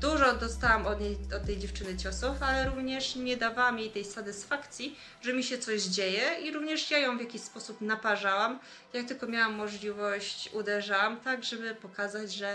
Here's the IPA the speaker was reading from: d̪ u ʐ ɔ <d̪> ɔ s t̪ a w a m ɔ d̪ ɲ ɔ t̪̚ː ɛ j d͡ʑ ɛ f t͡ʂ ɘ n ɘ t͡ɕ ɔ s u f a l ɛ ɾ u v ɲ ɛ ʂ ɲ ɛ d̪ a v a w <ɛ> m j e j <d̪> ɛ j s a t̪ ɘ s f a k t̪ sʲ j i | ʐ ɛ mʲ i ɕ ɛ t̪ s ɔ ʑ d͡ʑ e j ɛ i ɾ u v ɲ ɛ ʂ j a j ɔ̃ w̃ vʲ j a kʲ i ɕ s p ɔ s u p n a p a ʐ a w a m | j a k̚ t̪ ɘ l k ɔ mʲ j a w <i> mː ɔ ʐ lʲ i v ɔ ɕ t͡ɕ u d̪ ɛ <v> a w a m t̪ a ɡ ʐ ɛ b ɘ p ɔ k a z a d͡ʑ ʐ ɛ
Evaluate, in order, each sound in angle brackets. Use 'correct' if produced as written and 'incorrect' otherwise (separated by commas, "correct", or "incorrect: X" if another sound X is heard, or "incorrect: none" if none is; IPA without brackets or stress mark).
correct, incorrect: a, incorrect: t̪, incorrect: a, incorrect: ʐ